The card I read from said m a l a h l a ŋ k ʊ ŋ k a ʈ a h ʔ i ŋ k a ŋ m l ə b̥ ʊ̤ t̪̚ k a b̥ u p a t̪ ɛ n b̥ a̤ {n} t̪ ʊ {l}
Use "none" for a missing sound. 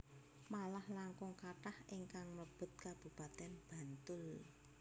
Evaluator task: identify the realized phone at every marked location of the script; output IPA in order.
n, l

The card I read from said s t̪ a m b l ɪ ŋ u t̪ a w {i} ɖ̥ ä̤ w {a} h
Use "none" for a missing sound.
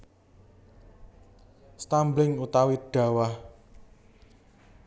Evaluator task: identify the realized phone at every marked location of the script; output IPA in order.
i, a

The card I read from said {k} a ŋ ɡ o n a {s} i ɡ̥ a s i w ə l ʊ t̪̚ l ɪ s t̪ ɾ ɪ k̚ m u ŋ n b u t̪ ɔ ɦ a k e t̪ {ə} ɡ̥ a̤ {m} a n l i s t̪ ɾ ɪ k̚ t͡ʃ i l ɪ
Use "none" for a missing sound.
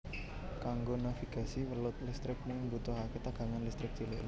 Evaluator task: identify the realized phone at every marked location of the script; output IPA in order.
k, f, a, ŋ

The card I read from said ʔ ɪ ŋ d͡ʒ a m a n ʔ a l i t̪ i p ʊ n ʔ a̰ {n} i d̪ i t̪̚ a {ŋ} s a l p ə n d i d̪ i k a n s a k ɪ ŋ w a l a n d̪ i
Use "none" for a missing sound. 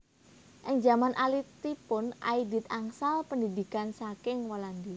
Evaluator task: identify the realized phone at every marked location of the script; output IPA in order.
none, ŋ

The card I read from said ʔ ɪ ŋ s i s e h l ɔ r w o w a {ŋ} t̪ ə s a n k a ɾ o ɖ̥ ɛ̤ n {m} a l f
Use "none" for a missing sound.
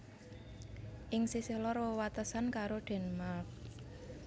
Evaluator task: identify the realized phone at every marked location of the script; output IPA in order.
none, m

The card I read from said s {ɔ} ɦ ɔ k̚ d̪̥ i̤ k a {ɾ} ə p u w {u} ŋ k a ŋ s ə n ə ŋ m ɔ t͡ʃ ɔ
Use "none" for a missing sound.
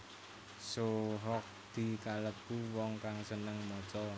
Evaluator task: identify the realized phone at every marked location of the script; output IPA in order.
o, l, ɔ

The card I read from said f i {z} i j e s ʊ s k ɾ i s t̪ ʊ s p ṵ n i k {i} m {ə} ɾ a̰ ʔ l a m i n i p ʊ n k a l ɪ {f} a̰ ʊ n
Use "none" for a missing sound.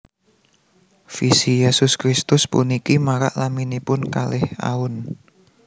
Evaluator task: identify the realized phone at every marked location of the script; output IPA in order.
s, i, a, h

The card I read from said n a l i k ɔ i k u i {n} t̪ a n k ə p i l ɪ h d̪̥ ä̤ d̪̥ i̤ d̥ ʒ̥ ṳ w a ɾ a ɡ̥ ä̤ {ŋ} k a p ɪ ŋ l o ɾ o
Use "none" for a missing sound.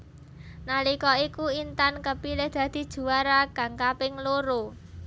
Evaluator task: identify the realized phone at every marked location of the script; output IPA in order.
n, ŋ

